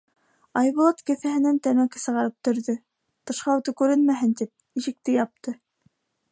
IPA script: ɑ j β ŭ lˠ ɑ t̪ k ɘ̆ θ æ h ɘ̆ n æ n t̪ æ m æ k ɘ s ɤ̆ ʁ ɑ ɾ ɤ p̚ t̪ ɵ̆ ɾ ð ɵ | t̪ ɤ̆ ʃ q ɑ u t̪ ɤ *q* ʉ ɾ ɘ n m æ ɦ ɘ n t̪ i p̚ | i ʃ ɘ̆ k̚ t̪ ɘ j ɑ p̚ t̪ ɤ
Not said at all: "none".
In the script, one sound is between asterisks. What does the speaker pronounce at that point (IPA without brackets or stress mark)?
k